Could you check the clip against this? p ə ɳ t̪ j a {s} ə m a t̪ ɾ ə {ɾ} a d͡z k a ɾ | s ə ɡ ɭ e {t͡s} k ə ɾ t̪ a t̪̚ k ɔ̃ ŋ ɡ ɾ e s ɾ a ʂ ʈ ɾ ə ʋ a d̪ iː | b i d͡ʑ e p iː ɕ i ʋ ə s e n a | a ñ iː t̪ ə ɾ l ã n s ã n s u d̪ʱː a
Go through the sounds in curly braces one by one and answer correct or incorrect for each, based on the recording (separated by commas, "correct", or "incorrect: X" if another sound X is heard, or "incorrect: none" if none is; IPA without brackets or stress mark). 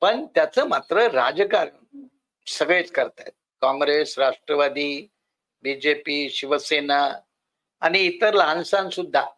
incorrect: t͡s, correct, correct